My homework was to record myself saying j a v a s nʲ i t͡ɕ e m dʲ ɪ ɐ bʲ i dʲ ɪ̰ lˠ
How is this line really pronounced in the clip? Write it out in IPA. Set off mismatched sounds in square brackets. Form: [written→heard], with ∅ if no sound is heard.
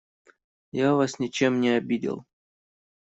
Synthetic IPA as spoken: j a v a s nʲ [i→ɪ] t͡ɕ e m [dʲ→nʲ] ɪ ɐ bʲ i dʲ ɪ̰ lˠ